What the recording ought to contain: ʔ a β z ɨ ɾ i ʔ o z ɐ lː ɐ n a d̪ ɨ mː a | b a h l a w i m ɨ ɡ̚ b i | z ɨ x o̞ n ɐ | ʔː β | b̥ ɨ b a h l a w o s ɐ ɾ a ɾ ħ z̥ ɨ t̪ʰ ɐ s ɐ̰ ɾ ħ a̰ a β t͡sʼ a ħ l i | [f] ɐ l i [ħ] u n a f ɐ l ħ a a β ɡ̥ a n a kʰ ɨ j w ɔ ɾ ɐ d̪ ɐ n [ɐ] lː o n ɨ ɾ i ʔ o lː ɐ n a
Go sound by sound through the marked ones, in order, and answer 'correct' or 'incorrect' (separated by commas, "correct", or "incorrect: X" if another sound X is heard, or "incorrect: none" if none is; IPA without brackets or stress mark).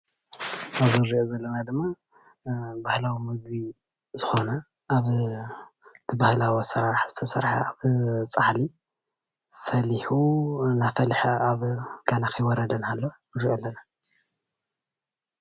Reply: correct, correct, incorrect: a